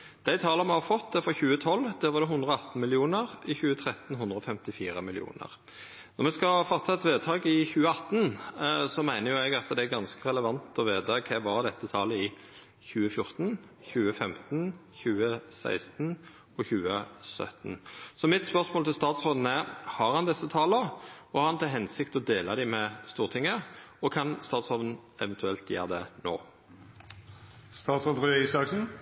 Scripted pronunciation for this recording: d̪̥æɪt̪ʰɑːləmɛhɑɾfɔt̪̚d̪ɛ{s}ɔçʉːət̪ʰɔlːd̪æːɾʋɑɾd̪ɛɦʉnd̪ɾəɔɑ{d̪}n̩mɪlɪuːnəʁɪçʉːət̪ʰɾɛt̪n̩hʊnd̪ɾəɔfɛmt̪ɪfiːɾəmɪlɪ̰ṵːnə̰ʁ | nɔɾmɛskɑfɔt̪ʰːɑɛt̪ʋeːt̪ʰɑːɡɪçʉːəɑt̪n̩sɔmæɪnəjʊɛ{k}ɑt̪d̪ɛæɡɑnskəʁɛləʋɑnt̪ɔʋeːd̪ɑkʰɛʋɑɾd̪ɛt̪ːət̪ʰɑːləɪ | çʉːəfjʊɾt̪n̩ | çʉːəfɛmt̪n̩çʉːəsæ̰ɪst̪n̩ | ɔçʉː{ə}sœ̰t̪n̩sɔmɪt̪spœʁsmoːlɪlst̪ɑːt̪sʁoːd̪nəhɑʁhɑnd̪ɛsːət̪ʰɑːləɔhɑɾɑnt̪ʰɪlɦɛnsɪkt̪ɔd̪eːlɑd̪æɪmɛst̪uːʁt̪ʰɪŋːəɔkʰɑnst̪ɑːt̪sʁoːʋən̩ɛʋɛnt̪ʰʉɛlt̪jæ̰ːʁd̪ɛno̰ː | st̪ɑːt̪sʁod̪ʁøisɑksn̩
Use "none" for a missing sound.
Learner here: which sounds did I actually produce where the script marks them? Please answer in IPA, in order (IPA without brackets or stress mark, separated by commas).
f, t̪, ɡ, ə